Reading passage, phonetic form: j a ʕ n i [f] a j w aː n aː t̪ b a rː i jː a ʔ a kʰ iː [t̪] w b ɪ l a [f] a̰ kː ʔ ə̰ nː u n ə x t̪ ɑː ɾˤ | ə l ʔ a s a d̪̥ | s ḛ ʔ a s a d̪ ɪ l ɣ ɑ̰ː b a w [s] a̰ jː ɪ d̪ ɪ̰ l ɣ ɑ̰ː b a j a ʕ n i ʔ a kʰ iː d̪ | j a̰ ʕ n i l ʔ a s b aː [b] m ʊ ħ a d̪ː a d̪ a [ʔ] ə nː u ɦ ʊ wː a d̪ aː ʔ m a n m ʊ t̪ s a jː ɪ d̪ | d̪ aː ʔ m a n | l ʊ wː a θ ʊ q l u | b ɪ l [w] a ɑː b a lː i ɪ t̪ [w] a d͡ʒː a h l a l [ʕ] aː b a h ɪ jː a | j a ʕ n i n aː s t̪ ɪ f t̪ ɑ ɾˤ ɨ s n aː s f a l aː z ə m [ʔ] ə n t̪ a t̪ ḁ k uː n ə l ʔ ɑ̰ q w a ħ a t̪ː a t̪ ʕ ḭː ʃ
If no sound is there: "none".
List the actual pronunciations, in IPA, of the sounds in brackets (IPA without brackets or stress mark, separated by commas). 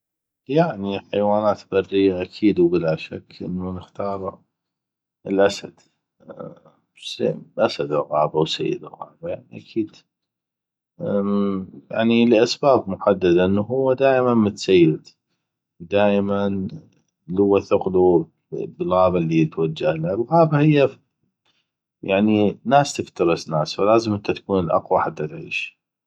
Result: ħ, d̪, ʃ, s, b, ʔ, ɣ, w, ɣ, ʔ